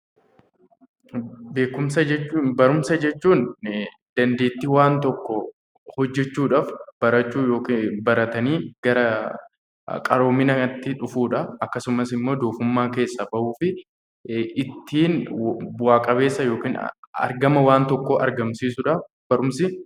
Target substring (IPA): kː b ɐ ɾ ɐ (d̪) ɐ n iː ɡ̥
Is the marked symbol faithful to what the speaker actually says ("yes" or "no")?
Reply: no